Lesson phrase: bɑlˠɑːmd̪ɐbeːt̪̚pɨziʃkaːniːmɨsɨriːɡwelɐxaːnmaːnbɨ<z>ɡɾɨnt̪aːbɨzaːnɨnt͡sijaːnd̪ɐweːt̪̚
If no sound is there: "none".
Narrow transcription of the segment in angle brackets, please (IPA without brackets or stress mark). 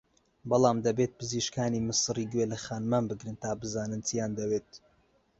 none